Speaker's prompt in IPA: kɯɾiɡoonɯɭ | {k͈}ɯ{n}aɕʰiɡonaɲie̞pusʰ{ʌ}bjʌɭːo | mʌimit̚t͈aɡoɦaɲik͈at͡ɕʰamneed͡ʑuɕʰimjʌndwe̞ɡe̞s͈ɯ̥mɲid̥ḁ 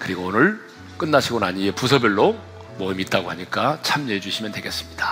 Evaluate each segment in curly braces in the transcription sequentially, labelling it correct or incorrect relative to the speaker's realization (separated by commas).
correct, incorrect, correct